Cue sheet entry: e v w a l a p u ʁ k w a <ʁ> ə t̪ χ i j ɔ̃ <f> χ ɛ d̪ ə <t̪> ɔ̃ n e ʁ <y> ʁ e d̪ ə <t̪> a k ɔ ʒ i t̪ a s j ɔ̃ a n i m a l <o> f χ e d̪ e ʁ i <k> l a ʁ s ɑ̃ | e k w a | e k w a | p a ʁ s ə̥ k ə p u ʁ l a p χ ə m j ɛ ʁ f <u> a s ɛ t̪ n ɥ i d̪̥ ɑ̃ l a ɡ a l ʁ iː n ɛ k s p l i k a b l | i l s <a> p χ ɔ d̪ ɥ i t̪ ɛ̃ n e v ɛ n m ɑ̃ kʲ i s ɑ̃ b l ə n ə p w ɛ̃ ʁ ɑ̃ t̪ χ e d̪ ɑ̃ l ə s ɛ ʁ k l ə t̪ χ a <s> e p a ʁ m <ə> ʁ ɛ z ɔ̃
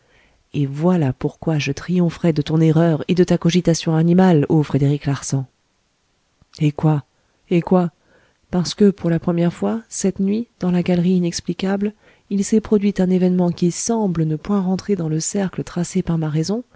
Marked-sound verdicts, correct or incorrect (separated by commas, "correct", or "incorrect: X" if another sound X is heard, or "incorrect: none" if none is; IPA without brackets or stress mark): incorrect: ʒ, correct, correct, incorrect: œ, correct, correct, correct, incorrect: w, incorrect: ɛ, correct, incorrect: a